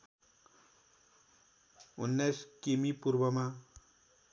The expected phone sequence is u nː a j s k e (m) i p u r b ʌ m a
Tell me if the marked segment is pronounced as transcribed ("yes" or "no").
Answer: yes